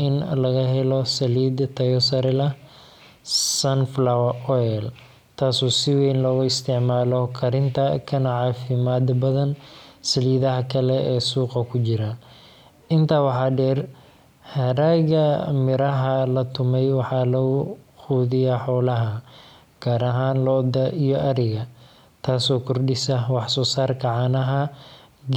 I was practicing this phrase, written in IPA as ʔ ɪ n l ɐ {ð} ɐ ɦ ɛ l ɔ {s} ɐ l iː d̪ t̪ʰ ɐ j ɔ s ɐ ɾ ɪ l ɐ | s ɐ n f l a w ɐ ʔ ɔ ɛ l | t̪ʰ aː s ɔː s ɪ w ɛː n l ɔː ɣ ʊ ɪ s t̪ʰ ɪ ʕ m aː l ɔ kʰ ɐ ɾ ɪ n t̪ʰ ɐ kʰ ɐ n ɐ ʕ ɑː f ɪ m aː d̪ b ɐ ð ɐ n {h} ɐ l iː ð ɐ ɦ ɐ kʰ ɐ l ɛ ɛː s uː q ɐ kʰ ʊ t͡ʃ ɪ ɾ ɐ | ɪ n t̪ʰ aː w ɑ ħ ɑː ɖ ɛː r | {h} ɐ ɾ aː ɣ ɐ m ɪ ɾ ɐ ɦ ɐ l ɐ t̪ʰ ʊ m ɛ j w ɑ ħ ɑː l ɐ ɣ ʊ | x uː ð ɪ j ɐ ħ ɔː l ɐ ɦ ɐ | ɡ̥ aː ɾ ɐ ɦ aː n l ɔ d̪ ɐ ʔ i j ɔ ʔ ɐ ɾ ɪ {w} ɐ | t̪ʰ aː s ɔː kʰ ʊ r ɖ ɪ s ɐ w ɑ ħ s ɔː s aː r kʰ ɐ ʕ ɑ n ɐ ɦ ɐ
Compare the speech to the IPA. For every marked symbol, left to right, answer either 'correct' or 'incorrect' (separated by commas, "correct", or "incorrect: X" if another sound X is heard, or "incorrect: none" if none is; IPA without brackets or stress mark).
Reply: incorrect: ɣ, correct, incorrect: s, correct, incorrect: ɣ